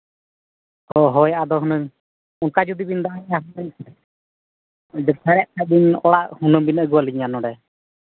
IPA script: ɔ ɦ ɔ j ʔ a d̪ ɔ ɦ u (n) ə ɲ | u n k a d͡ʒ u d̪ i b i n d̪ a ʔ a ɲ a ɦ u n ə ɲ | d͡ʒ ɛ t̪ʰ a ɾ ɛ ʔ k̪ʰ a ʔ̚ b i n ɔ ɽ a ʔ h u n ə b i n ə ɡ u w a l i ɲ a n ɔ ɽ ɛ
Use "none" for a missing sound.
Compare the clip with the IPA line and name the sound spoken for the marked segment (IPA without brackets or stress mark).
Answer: n